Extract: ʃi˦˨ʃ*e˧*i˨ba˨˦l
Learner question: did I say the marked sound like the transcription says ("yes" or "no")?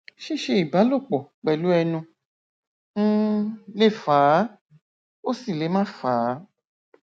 yes